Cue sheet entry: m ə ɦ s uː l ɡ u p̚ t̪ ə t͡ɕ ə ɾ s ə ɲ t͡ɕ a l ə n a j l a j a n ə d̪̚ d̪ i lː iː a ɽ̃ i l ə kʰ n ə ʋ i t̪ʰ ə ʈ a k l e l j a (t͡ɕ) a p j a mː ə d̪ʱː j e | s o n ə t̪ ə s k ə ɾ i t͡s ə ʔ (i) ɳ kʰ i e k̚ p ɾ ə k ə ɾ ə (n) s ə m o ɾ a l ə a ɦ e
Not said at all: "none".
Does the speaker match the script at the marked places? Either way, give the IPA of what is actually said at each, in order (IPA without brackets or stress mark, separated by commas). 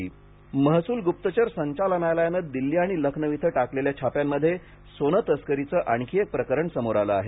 t͡ɕʰ, a, ɳ